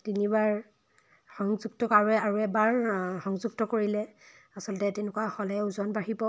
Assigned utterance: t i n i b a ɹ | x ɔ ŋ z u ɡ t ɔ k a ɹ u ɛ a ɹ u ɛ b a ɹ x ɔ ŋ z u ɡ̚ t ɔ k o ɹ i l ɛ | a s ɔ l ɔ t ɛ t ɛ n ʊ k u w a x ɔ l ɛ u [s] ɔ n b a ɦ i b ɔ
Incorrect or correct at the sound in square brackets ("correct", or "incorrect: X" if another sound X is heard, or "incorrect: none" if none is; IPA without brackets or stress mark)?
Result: incorrect: z